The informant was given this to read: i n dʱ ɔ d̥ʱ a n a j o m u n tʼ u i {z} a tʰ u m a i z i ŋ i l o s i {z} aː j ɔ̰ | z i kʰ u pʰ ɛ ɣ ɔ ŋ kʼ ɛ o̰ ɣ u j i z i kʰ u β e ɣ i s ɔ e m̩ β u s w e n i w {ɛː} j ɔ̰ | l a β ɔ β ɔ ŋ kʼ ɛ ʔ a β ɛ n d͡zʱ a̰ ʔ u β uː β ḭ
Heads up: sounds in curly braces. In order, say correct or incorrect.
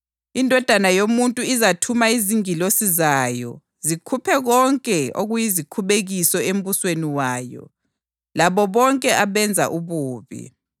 correct, correct, incorrect: aː

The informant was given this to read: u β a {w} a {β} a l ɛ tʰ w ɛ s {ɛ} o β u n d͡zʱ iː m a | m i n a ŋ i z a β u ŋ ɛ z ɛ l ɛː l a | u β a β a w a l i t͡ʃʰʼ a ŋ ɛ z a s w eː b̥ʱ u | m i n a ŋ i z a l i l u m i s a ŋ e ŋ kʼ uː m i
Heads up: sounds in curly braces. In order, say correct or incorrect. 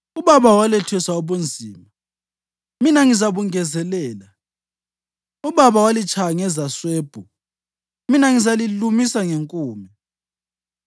incorrect: β, incorrect: w, incorrect: a

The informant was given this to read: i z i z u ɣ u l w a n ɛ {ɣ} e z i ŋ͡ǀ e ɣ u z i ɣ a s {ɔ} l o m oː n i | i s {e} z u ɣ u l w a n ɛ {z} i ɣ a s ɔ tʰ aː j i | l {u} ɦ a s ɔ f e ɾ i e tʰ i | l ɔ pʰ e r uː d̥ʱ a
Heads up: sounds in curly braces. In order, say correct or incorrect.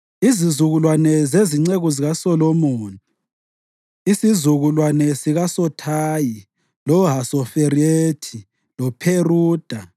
incorrect: z, correct, incorrect: i, incorrect: s, incorrect: ɔ

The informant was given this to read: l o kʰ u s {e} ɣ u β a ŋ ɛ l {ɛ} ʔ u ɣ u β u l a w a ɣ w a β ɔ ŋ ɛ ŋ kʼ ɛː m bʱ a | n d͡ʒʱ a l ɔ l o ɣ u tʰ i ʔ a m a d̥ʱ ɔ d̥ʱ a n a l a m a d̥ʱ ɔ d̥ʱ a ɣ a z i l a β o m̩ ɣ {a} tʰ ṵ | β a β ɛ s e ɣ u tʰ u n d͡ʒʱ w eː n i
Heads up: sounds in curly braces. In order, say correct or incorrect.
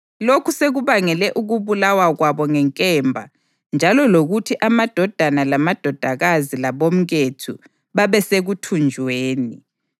correct, correct, incorrect: e

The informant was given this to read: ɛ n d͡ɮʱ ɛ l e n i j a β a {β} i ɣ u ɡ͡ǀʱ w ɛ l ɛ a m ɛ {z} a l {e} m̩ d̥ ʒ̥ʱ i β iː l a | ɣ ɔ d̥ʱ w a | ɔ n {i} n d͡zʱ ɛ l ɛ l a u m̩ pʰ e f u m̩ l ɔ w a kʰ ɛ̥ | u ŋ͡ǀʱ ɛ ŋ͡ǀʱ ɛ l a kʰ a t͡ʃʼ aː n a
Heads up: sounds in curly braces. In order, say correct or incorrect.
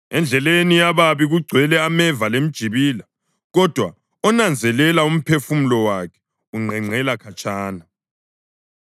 correct, incorrect: v, correct, incorrect: a

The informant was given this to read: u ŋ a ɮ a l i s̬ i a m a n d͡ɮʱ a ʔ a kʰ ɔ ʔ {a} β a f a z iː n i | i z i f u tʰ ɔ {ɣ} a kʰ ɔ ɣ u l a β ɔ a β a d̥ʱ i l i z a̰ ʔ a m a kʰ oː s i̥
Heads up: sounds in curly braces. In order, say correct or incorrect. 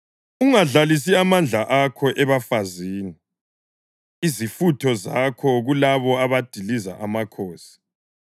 incorrect: ɛ, incorrect: z

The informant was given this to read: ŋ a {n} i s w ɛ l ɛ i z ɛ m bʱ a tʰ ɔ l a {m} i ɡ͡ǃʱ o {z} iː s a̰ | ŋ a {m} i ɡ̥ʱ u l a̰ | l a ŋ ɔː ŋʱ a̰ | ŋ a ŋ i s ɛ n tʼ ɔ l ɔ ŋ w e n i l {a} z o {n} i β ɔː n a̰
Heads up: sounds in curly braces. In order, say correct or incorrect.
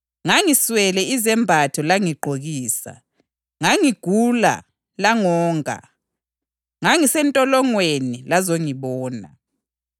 incorrect: ŋ, incorrect: ŋ, incorrect: ɣ, incorrect: ŋ, correct, incorrect: ŋ

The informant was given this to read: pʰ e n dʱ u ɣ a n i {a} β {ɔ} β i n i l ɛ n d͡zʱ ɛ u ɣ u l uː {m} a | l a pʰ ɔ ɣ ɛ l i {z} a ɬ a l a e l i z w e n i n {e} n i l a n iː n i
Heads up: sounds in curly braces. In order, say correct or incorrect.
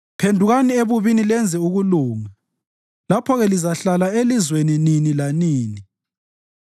incorrect: e, incorrect: u, incorrect: ŋ, correct, incorrect: i

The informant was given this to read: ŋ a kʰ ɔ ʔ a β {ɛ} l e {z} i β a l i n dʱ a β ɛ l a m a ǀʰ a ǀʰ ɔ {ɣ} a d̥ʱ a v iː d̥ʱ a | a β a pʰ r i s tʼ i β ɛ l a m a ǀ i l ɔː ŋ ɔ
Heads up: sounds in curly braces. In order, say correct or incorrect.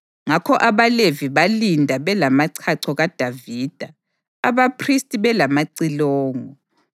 incorrect: a, incorrect: v, correct

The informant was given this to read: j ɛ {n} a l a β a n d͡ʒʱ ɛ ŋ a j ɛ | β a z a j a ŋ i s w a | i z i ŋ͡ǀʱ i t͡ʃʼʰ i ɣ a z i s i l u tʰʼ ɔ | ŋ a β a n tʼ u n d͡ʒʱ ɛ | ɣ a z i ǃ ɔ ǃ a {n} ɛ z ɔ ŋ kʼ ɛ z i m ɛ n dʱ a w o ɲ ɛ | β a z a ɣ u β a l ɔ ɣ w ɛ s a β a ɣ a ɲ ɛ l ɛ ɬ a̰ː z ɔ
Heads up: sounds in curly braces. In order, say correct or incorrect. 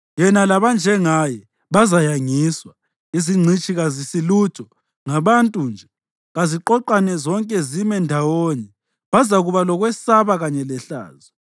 correct, correct

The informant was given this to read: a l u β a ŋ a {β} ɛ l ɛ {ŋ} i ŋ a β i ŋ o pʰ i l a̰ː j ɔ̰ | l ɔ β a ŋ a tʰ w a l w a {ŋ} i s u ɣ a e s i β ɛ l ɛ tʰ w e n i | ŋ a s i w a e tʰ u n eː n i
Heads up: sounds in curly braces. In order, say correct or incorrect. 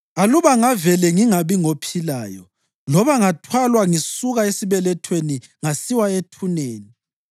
incorrect: v, correct, correct

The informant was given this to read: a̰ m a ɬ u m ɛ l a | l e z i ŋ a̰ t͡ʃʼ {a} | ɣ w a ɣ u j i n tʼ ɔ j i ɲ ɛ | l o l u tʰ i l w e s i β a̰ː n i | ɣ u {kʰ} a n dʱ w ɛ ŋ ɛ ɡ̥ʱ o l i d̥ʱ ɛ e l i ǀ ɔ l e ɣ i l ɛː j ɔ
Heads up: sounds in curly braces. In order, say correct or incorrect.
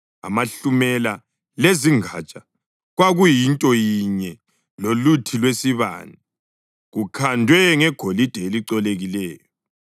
correct, correct

